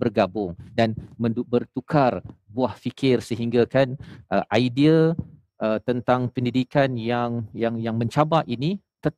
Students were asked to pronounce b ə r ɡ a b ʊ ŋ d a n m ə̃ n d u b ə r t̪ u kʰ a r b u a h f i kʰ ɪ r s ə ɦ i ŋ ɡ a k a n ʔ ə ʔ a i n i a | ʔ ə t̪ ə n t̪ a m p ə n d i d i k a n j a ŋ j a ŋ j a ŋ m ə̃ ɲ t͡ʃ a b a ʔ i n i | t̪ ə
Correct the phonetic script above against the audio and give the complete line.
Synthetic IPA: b ə r ɡ a b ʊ ŋ d a n m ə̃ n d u b ə r t̪ u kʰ a r b u a h f i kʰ ɪ r s ə ɦ i ŋ ɡ a k a n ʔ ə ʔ a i d i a | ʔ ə t̪ ə n t̪ a ŋ p ə n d i d i k a n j a ŋ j a ŋ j a ŋ m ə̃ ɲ t͡ʃ a b a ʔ i n i | t̪ ə